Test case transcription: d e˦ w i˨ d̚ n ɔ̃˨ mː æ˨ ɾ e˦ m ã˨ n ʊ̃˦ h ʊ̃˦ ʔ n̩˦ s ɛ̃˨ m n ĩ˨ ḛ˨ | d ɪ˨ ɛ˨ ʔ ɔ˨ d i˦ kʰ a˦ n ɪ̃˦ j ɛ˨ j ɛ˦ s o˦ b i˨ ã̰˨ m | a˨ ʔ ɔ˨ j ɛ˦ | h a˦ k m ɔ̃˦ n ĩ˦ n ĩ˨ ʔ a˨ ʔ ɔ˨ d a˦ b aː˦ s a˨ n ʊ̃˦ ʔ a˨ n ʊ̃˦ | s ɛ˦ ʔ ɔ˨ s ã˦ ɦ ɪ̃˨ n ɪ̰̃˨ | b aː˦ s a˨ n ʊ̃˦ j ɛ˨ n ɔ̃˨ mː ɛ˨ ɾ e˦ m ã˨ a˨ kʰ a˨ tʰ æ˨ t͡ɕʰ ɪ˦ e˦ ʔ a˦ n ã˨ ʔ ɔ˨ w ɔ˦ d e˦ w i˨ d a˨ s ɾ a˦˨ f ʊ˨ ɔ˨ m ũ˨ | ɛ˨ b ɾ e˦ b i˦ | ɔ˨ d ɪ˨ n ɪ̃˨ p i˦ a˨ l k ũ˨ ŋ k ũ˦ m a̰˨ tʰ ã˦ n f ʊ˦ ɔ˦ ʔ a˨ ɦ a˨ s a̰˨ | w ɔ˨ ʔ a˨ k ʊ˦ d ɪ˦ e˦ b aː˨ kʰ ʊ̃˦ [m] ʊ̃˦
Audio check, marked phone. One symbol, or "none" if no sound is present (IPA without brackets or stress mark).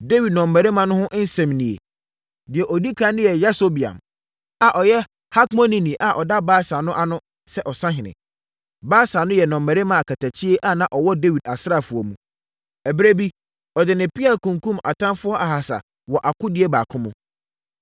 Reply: m